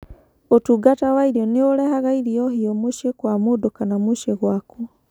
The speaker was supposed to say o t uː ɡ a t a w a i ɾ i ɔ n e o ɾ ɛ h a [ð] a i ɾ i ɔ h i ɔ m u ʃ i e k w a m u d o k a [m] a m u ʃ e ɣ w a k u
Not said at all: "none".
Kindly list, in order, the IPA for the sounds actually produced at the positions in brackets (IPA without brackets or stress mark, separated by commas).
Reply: ɣ, n